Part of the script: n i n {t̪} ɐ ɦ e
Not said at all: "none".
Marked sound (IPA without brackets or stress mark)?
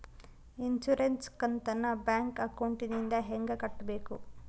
d̪